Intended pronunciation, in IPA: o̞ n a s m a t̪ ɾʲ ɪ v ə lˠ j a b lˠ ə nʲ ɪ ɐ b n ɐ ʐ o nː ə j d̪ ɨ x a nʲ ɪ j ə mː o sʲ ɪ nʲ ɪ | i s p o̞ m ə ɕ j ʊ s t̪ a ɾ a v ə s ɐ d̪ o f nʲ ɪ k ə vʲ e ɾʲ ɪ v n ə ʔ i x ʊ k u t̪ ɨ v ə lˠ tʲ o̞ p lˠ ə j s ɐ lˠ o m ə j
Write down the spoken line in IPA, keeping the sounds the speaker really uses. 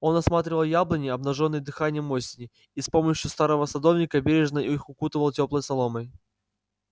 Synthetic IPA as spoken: o̞ n ɐ s m a t̪ ɾʲ ɪ v ə lˠ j a b lˠ ə nʲ ɪ ɐ b n ɐ ʐ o nː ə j d̪ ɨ x a nʲ ɪ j ə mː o sʲ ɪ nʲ ɪ | i s p o̞ m ə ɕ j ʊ s t̪ a ɾ ə v ə s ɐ d̪ o v nʲ ɪ k ə bʲ e ɾʲ ɪ ʐ n ə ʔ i x ʊ k u t̪ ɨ v ə lˠ tʲ o̞ p lˠ ə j s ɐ lˠ o m ə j

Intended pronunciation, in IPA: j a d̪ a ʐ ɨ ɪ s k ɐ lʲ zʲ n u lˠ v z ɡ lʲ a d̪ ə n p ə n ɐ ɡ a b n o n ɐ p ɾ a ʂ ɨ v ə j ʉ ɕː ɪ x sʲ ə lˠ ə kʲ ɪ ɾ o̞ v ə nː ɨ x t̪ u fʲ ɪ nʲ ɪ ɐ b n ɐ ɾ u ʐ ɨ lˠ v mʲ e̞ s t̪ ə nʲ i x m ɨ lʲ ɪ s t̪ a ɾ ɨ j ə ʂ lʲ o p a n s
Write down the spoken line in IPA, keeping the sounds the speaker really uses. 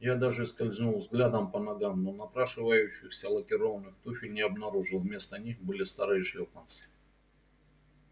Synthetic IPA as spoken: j a d̪ a ʐ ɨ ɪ s k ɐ lʲ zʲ n u lˠ v z ɡ lʲ a d̪ ə m p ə n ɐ ɡ a m n o n ɐ p ɾ a ʂ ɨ v ə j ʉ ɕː ɪ x sʲ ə lˠ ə kʲ ɪ ɾ o̞ v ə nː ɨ x t̪ u fʲ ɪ nʲ ɪ ɐ b n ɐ ɾ u ʐ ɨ lˠ v mʲ e̞ s t̪ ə nʲ i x b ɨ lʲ ɪ s t̪ a ɾ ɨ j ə ʂ lʲ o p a n s

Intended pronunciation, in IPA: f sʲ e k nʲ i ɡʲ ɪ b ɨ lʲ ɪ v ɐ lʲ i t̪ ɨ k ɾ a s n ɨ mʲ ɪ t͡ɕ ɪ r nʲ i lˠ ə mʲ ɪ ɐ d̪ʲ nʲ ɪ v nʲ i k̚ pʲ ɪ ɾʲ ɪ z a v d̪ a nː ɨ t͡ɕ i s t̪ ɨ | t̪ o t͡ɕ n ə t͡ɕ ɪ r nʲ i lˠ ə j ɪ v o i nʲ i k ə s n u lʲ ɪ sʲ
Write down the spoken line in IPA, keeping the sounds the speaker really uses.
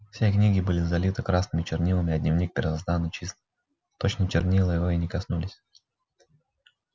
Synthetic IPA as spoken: f sʲ e k nʲ i ɡʲ ɪ b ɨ lʲ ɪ z ɐ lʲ i t̪ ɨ k ɾ a s n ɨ mʲ ɪ t͡ɕ ɪ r nʲ i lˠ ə mʲ ɪ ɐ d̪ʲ nʲ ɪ v nʲ i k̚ pʲ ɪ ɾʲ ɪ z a z d̪ a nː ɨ t͡ɕ i s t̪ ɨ | t̪ o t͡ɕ n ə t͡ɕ ɪ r nʲ i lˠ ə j ɪ v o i nʲ ɪ k ɐ s n u lʲ ɪ sʲ

